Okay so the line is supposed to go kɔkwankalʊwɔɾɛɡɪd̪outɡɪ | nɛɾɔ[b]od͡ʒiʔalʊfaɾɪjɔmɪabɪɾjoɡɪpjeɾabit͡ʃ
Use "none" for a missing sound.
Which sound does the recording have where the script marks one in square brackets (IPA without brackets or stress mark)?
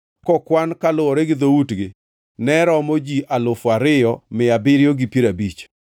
m